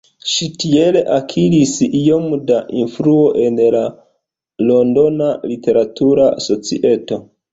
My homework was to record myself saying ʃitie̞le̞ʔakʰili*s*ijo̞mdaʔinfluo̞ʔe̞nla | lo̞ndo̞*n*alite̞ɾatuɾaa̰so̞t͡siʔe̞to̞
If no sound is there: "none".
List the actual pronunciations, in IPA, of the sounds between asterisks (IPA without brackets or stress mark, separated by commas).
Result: s, n